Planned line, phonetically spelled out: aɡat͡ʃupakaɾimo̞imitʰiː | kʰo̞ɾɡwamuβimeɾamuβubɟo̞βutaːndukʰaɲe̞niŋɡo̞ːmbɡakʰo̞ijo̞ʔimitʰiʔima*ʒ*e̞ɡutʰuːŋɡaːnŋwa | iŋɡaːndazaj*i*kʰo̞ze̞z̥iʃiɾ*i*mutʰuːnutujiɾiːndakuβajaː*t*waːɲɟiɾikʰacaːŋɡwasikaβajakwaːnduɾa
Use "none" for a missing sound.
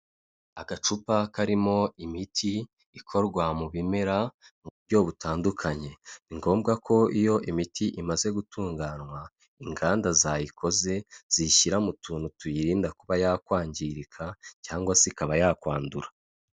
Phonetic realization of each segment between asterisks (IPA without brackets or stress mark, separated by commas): z, i, a, k